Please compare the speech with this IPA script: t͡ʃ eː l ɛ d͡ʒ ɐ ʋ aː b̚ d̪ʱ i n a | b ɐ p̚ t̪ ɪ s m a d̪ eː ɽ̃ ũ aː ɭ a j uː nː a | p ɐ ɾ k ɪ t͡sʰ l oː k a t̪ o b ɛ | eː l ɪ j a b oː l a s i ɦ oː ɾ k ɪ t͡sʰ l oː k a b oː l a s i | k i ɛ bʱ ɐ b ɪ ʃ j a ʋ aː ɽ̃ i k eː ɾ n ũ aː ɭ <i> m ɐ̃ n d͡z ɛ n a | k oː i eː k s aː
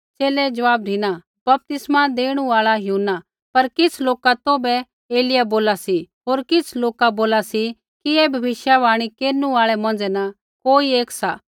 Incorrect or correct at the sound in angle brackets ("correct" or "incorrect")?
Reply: incorrect